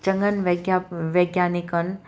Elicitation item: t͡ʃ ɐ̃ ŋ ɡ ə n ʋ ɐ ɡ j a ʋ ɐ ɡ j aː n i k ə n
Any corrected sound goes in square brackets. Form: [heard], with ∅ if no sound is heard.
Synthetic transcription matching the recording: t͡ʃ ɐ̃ ŋ ɡ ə n ʋ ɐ ɡ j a ʋ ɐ ɡ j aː n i k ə n